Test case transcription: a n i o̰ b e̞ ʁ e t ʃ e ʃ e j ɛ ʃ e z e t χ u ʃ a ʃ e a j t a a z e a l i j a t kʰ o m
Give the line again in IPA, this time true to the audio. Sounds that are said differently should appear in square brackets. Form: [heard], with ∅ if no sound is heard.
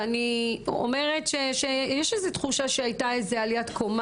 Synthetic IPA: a n i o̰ [m] e̞ ʁ e t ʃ e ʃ e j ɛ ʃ e z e t χ u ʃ a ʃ e a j t a [e] z e a l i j a t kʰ o m